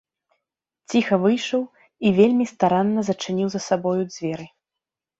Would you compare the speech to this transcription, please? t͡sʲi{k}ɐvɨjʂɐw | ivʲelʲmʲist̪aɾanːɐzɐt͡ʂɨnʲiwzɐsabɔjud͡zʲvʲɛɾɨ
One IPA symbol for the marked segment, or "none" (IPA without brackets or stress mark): x